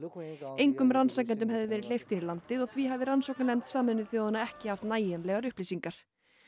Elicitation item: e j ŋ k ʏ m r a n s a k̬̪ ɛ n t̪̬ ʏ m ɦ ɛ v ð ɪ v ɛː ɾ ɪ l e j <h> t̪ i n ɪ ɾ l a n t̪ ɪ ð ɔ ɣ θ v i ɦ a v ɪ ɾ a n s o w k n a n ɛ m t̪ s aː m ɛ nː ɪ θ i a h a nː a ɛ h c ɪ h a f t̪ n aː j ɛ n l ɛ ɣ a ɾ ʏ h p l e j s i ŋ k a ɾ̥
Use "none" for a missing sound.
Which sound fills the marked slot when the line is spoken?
f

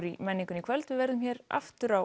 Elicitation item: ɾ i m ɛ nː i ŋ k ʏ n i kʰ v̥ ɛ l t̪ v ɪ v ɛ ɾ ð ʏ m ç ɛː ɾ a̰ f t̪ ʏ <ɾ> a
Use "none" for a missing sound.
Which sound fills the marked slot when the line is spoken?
ɾ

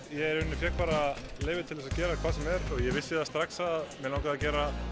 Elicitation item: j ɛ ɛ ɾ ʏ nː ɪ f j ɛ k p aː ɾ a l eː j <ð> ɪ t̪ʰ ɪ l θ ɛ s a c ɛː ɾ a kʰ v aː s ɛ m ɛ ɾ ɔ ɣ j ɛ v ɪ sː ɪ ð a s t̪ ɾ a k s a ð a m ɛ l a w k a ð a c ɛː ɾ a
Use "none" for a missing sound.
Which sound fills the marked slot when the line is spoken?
v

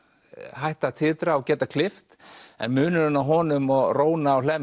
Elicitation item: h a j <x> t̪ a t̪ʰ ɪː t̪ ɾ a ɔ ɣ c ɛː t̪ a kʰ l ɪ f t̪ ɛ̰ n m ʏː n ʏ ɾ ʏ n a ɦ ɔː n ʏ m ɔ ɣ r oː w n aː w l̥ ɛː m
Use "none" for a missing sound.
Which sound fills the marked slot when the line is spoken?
h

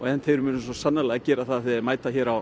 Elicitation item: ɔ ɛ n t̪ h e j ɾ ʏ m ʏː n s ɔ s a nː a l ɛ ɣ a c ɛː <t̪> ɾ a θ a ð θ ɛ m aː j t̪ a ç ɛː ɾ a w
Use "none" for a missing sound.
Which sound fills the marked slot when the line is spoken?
none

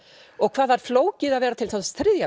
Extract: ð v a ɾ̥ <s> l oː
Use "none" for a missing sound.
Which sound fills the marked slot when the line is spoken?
f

